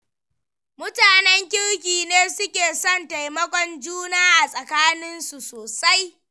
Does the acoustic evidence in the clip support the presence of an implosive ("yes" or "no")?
no